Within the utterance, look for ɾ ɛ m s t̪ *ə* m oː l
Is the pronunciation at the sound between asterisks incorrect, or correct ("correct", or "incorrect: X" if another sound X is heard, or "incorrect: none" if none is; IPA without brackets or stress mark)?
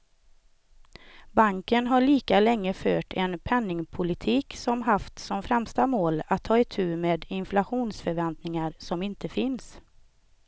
incorrect: a